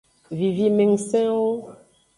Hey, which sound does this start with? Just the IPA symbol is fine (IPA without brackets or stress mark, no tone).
v